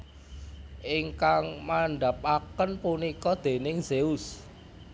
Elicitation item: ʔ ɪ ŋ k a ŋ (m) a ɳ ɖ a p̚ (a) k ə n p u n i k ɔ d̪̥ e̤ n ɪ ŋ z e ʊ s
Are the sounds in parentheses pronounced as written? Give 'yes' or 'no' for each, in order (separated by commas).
yes, yes